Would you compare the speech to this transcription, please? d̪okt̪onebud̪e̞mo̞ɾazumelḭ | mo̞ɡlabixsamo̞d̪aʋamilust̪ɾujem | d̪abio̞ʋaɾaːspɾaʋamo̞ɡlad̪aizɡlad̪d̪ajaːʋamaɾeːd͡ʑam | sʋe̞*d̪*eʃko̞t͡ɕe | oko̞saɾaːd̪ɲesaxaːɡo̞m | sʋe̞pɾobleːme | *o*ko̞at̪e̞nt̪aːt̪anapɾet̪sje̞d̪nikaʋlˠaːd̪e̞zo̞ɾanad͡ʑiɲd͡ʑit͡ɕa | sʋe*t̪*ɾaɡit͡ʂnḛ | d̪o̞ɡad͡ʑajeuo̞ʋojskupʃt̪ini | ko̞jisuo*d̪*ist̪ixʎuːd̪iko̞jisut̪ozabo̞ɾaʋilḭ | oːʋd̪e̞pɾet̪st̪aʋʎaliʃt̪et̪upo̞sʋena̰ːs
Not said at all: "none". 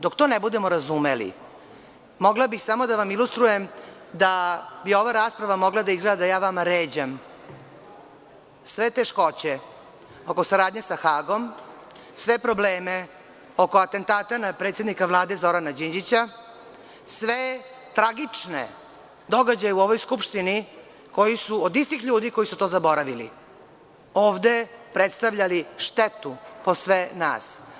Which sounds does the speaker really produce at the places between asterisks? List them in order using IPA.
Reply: t̪, o, t̪, d̪

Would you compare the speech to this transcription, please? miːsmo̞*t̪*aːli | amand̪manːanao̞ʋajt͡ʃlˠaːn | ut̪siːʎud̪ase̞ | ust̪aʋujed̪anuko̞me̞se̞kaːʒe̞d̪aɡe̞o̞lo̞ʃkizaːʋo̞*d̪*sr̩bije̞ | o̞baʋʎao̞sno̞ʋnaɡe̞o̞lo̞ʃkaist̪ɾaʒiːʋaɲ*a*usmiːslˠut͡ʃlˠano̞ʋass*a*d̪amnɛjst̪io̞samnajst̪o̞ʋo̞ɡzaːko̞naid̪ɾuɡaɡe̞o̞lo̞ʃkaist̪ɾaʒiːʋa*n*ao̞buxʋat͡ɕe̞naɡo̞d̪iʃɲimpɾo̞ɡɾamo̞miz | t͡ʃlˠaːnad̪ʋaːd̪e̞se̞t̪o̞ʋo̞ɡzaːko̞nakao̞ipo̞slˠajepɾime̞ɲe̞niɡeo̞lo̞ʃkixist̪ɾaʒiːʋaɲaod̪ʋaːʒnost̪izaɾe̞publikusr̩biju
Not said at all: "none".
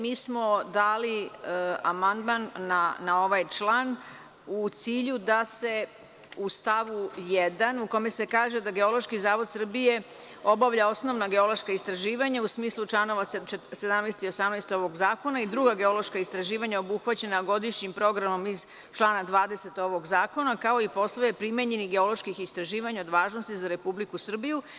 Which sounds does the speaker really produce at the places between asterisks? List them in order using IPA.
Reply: d̪, d̪, a, e, ɲ

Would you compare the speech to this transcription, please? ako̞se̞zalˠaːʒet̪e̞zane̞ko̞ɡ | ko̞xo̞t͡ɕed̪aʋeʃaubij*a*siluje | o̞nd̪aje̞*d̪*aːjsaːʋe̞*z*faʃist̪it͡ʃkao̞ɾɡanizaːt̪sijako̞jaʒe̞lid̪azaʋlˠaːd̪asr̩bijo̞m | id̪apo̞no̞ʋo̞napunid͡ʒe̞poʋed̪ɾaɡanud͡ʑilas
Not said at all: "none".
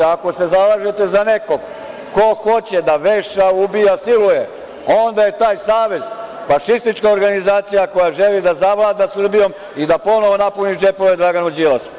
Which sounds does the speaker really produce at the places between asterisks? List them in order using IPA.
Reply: a, t̪, z

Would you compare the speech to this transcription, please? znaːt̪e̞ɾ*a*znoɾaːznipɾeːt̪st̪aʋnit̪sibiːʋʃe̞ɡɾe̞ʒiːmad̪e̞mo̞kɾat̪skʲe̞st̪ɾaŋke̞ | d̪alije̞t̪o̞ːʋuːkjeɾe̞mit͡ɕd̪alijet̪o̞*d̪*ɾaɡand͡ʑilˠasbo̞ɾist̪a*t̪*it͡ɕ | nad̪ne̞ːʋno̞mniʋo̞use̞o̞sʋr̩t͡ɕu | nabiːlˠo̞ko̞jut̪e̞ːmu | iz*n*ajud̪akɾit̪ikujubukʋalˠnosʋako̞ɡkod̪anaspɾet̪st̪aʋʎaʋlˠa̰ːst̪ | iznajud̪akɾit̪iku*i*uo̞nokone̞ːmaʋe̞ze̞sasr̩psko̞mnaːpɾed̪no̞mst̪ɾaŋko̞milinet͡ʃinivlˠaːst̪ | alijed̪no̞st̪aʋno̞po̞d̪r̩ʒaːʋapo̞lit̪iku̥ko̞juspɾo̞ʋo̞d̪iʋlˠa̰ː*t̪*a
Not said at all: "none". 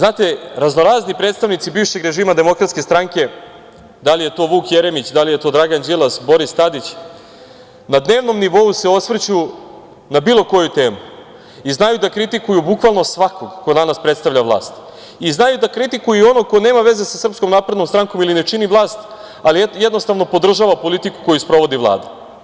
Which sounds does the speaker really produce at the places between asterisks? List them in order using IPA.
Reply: a, d̪, d̪, n, j, d̪

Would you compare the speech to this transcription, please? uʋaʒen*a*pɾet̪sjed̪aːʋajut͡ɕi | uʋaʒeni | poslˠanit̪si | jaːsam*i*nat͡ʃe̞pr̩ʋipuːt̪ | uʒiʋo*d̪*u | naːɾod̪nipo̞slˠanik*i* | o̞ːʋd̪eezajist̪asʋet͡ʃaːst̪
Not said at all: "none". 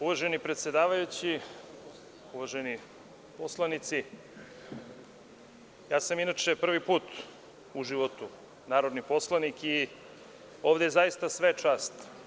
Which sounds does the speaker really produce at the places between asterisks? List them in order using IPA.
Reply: i, i, t̪, i

